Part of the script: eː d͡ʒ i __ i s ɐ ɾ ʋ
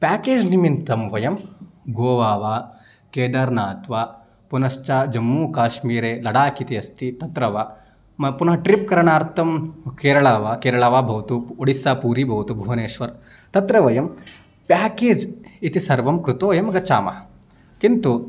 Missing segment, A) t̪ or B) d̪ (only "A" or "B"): A